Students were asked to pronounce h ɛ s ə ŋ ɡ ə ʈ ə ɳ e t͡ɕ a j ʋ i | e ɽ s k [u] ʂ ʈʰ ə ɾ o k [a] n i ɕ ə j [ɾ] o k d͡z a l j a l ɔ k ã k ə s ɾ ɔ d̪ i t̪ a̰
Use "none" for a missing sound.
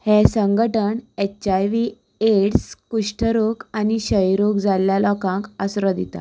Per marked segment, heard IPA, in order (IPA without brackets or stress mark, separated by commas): u, a, ɾ